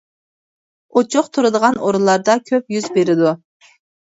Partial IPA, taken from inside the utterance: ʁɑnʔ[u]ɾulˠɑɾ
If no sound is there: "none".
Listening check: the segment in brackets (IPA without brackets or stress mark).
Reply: o